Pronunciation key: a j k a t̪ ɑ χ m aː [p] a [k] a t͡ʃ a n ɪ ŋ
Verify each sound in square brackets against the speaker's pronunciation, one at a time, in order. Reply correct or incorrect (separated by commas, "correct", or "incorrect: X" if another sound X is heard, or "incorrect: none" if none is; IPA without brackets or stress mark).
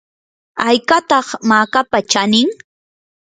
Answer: incorrect: k, incorrect: p